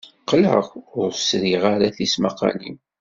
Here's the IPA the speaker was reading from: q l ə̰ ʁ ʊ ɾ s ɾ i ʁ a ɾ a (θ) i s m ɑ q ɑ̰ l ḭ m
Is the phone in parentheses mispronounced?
no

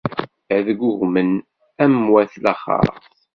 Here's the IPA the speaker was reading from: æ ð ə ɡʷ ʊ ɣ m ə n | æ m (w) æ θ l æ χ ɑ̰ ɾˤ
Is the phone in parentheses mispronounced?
no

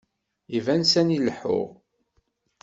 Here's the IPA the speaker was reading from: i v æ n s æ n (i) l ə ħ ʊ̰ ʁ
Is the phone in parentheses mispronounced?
no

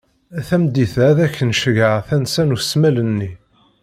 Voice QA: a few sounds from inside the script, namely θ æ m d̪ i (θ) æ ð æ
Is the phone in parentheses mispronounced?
no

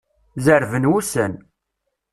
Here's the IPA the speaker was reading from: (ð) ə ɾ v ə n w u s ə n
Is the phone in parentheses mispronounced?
yes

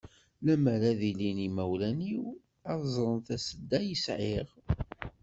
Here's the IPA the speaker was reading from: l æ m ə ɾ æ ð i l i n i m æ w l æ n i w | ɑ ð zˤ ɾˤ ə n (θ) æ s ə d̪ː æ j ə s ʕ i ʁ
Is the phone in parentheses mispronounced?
no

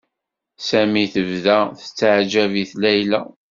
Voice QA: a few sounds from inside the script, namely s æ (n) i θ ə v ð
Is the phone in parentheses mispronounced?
yes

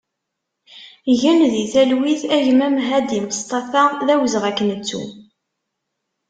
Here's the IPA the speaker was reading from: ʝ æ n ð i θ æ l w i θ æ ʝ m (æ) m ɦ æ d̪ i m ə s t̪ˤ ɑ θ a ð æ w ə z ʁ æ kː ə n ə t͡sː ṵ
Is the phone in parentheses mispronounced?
no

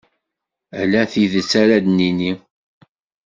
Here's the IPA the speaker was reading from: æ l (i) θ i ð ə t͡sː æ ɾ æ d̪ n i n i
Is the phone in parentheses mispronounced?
yes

